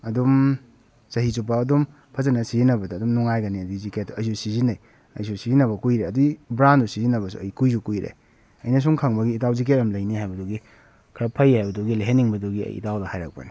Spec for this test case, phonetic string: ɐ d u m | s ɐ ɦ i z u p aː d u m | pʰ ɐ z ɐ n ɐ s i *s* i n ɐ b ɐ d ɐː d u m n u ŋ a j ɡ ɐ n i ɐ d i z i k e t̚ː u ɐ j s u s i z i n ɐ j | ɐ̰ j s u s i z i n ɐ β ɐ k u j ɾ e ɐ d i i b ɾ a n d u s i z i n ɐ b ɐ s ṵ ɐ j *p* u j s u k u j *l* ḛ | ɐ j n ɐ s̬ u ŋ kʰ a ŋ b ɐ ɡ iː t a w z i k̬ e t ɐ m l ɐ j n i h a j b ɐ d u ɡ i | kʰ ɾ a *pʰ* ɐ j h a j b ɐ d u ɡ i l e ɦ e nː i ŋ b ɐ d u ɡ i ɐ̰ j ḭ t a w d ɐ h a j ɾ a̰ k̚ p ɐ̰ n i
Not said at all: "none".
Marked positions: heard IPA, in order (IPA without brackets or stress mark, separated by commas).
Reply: z, k, ɾ, pʰ